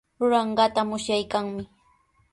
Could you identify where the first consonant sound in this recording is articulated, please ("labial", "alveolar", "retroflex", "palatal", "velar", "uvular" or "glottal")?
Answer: alveolar